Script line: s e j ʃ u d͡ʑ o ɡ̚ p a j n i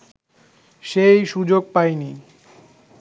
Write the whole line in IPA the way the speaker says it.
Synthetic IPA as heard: ʃ e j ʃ u d͡ʑ o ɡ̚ p a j n i